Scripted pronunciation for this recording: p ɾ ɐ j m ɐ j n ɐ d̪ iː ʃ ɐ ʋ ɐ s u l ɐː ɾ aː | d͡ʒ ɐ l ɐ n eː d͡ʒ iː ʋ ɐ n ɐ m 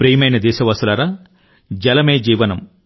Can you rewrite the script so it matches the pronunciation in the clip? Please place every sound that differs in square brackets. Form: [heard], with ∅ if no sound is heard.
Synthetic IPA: p ɾ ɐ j m ɐ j n ɐ d̪ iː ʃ ɐ ʋ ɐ s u l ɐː ɾ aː | d͡ʒ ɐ l ɐ [m] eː d͡ʒ iː ʋ ɐ n ɐ m